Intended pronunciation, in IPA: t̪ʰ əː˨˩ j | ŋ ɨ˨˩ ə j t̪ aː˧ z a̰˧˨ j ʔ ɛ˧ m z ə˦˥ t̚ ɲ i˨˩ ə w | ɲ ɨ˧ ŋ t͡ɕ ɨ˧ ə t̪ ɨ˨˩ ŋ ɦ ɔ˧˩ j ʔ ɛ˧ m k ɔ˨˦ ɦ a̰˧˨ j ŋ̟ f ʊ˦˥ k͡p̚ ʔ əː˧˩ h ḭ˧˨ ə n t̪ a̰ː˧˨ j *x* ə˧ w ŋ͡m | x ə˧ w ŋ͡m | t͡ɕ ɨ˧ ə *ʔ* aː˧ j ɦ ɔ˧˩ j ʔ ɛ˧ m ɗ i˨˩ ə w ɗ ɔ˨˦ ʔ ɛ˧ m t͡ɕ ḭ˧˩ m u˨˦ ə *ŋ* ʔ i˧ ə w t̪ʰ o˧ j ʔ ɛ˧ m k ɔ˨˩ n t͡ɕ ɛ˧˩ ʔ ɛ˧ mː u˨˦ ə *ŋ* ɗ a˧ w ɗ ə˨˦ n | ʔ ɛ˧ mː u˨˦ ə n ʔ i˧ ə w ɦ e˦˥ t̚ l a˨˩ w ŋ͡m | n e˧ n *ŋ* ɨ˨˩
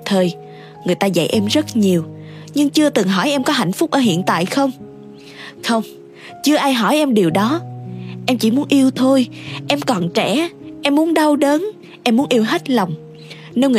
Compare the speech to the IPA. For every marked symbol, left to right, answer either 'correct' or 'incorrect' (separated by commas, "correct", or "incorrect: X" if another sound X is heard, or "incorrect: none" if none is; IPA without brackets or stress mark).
correct, correct, incorrect: n, incorrect: n, correct